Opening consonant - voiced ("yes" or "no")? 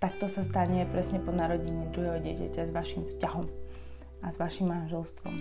no